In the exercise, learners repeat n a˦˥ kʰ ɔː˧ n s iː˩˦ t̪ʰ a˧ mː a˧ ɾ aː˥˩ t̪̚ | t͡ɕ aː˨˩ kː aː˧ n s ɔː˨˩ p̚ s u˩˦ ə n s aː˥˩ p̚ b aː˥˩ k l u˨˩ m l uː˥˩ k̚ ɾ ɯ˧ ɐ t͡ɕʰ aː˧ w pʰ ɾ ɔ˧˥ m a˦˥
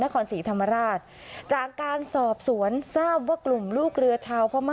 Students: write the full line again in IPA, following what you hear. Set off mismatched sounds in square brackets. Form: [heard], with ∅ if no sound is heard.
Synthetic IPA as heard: n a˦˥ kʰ ɔː˧ n s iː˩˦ t̪ʰ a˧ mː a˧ ɾ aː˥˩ t̪̚ | t͡ɕ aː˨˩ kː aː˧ n s ɔː˨˩ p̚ s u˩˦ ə n s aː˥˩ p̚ [w] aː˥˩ k l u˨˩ m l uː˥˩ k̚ ɾ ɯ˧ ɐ t͡ɕʰ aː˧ w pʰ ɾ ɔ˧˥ m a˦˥